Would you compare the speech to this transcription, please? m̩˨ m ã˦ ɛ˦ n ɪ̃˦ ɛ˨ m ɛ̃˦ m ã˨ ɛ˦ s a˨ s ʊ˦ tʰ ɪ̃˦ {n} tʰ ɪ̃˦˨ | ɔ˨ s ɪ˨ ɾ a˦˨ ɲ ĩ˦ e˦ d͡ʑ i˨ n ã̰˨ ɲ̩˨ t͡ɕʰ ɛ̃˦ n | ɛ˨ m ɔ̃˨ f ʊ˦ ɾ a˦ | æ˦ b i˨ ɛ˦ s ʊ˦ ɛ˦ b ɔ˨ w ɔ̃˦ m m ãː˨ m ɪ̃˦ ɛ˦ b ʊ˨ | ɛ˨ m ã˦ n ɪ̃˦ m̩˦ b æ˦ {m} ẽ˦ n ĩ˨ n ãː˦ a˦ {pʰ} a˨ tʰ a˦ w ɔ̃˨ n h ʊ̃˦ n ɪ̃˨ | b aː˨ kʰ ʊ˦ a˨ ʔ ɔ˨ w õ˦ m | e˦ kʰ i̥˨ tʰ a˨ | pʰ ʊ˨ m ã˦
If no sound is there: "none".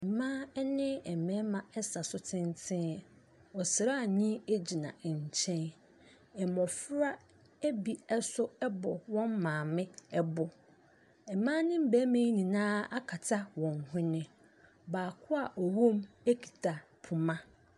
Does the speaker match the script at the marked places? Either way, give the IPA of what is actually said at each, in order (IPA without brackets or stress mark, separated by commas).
n, m, kʰ